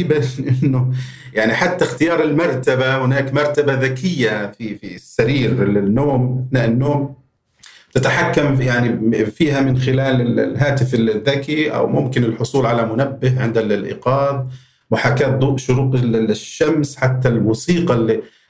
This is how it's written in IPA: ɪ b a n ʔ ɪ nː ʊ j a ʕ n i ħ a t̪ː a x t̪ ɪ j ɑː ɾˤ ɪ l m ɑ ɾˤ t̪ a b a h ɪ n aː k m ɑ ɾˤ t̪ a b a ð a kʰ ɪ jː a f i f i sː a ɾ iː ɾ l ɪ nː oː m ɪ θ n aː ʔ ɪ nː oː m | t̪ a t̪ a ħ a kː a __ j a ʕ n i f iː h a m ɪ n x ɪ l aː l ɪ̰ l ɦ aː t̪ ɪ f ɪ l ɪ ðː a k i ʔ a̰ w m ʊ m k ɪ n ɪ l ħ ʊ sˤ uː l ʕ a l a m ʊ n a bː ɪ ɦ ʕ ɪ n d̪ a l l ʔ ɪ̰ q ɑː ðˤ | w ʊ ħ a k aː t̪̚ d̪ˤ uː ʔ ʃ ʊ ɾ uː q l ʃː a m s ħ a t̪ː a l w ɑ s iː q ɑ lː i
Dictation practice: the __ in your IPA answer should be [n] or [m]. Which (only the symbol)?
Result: m